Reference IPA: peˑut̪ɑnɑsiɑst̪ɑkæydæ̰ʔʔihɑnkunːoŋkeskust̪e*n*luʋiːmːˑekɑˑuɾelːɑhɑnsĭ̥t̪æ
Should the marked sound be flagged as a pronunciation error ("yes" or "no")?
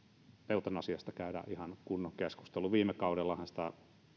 yes